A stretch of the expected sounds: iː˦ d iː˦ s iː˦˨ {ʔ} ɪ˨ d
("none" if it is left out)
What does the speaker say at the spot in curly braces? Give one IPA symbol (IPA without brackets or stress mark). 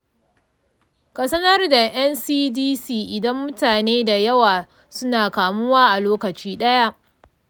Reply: ʔ